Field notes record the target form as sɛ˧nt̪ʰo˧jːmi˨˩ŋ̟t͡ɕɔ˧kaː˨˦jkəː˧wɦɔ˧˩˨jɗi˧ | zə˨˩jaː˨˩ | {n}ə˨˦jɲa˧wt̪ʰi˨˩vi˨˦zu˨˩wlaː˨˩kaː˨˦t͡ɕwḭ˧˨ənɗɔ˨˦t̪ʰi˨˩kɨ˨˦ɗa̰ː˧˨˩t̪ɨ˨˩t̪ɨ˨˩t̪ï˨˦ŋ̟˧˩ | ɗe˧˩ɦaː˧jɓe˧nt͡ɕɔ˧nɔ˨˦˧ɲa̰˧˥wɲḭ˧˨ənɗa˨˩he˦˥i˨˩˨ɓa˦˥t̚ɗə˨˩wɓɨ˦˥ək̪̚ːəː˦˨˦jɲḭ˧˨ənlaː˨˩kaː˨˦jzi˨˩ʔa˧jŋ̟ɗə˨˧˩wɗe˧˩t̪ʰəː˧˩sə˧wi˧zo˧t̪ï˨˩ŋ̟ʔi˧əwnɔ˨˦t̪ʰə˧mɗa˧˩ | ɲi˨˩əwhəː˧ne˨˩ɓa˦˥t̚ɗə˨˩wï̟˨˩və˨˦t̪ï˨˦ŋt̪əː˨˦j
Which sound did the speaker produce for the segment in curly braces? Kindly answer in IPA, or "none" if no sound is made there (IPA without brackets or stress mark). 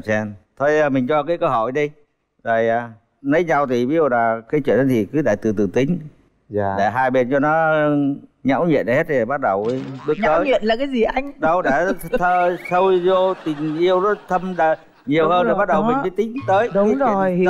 n